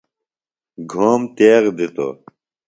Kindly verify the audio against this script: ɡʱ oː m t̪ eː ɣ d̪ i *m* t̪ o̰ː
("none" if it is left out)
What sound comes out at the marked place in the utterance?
none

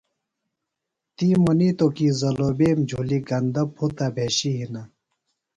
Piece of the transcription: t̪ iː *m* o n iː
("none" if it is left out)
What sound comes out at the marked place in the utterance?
m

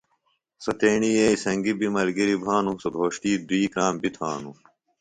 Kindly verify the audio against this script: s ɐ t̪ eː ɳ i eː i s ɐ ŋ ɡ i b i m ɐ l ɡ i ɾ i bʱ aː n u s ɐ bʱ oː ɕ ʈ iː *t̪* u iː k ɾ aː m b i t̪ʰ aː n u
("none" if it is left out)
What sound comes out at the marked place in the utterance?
d̪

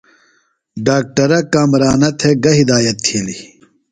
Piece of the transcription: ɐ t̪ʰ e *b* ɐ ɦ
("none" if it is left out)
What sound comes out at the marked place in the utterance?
ɡ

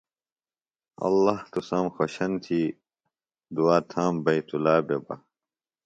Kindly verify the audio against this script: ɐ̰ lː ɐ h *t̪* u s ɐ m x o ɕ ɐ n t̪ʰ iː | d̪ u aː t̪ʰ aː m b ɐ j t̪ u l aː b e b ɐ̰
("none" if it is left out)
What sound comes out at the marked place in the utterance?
t̪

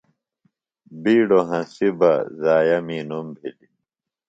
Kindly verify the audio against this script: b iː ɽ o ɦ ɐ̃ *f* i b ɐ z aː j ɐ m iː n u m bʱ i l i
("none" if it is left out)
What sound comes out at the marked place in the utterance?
s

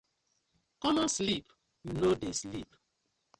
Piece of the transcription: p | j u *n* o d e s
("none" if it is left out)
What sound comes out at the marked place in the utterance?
n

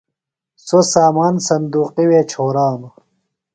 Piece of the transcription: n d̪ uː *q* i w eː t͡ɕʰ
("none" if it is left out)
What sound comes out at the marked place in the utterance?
q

